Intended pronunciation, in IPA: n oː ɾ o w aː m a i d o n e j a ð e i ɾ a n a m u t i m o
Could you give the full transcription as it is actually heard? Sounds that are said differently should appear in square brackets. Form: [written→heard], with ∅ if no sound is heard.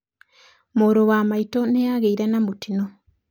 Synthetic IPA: [n→m] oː ɾ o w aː m a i [d→t] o n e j a [ð→ɣ] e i ɾ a n a m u t i [m→n] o